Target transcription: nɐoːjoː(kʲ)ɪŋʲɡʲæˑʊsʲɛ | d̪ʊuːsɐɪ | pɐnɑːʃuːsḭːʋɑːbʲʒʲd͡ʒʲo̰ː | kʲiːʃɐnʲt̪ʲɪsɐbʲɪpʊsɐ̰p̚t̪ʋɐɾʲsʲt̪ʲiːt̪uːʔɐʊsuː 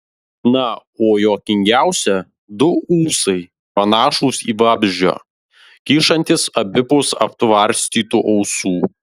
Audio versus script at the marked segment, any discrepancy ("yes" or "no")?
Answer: no